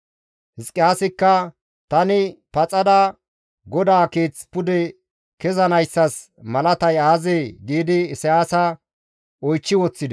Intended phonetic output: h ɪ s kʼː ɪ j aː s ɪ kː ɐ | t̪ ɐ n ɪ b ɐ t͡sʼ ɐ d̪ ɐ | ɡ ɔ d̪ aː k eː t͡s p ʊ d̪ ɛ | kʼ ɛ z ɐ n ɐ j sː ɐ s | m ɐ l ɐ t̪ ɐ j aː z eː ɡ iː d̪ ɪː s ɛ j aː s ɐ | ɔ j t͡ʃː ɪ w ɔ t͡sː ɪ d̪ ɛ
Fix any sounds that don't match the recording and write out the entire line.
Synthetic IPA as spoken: h ɪ s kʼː ɪ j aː s ɪ kː ɐ | t̪ ɐ n ɪ p ɐ t͡sʼ ɐ d̪ ɐ | ɡ ɔ d̪ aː k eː t͡s p ʊ d̪ ɛ | k ɛ z ɐ n ɐ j sː ɐ s | m ɐ l ɐ t̪ ɐ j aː z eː ɡ iː d̪ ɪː s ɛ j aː s ɐ | ɔ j t͡ʃː ɪ w ɔ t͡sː ɪ d̪ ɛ